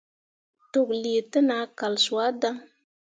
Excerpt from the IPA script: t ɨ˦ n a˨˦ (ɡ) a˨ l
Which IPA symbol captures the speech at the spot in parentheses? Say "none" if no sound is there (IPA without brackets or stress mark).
k